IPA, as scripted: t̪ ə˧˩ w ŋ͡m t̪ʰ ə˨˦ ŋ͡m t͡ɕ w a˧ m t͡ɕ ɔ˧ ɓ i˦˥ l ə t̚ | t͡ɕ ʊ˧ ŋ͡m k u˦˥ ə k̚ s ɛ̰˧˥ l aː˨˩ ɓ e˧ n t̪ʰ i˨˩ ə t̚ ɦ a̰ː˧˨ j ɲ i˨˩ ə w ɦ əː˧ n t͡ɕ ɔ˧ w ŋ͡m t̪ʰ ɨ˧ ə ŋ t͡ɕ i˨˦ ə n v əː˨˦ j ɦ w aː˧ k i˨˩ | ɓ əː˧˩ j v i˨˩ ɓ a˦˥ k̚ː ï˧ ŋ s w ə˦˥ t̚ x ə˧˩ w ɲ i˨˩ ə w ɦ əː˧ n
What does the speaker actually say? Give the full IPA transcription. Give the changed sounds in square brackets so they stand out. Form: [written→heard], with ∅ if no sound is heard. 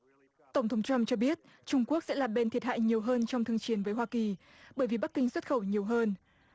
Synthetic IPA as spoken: t̪ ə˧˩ w ŋ͡m t̪ʰ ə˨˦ ŋ͡m t͡ɕ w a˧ m t͡ɕ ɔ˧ ɓ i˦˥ [l→∅] ə t̚ | t͡ɕ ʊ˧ ŋ͡m k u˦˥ ə k̚ s ɛ̰˧˥ l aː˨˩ ɓ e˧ n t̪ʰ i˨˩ ə t̚ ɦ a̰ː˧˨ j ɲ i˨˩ ə w ɦ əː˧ n t͡ɕ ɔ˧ w ŋ͡m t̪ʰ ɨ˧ ə ŋ t͡ɕ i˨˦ ə n v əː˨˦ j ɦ w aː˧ k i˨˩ | ɓ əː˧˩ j v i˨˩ ɓ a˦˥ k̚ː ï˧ ŋ s w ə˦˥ t̚ x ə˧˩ w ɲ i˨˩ ə w ɦ əː˧ n